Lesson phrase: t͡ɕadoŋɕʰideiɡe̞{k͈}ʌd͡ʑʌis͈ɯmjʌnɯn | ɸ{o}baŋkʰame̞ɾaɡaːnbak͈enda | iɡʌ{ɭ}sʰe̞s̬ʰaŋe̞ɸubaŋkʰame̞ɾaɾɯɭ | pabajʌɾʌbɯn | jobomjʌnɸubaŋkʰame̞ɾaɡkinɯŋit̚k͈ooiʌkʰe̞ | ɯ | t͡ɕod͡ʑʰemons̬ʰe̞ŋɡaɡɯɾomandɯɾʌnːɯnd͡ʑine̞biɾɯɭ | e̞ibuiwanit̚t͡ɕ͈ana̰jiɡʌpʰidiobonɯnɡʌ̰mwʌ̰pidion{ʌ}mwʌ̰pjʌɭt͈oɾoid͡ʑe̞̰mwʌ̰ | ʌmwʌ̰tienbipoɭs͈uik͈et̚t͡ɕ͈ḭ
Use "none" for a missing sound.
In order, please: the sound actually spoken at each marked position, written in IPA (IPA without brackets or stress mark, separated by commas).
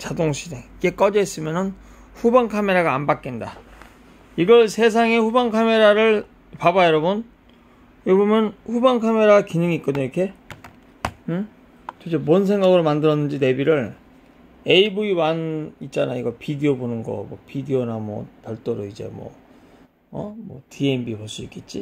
k͈, u, ɭ, a